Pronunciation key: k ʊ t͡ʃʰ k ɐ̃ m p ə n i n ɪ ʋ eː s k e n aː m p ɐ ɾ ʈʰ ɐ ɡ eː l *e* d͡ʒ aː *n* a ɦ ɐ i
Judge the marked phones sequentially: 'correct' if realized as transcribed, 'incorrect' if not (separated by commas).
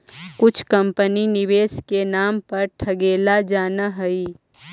incorrect, correct